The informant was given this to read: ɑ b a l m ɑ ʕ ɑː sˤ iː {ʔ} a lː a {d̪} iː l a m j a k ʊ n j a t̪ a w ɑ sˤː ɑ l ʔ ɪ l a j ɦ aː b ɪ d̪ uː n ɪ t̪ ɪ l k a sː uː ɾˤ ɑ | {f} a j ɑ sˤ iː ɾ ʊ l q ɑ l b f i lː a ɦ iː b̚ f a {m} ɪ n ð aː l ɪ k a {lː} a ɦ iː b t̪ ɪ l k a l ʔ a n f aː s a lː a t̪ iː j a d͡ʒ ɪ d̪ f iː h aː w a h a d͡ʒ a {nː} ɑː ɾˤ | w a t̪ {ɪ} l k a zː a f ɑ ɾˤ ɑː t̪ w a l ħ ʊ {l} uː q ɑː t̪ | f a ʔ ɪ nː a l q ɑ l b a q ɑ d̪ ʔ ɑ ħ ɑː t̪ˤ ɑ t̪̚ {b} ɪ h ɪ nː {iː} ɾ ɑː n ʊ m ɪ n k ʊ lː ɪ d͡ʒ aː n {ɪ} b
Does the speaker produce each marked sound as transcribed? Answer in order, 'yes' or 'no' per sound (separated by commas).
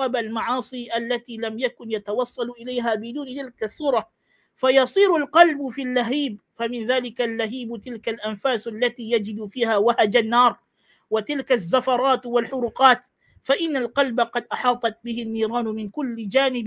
yes, no, yes, yes, yes, yes, yes, no, yes, yes, yes